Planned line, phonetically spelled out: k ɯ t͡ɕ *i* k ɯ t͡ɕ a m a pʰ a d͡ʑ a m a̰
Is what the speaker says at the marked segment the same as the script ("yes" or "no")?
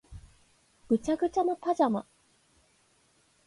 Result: no